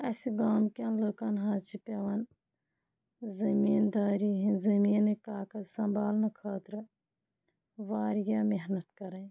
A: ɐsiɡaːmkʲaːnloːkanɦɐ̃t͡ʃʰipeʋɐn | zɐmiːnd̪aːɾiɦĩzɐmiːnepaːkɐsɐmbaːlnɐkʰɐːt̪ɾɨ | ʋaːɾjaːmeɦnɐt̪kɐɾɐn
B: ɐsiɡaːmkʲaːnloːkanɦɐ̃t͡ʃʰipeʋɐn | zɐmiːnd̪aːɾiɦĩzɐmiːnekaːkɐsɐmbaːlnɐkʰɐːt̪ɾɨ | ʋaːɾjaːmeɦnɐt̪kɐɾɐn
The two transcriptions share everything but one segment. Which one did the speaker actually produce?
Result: B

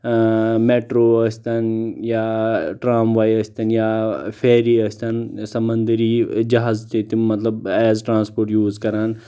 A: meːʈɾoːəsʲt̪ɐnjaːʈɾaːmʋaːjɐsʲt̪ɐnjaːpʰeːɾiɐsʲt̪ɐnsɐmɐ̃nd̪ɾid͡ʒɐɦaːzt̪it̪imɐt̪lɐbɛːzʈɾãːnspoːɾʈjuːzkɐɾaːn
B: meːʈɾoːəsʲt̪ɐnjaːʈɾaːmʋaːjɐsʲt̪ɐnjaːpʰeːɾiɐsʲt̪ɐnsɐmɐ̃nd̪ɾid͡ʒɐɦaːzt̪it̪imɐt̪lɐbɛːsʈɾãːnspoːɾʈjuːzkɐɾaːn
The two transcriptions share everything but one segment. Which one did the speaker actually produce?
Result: A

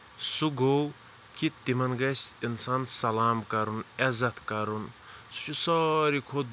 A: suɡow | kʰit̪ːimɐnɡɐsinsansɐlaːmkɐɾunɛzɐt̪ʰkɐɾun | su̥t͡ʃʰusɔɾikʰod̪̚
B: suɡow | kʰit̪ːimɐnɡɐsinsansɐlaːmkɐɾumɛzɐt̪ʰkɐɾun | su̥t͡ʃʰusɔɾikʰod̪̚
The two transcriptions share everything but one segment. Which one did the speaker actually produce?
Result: A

